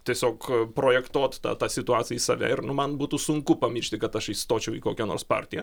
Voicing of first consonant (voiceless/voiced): voiceless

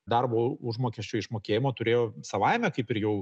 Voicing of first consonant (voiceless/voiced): voiced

